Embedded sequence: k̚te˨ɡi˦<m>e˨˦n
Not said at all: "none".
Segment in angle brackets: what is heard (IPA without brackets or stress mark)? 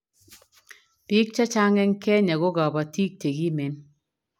m